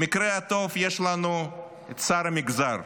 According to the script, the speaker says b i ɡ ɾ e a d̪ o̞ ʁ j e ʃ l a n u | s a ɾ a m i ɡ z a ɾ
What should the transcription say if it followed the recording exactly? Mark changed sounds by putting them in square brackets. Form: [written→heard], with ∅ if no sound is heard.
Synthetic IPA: [b→m] i [ɡ→k] ɾ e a [d̪→t̪] o̞ [ʁ→v] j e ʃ l a n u | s a ɾ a m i ɡ z a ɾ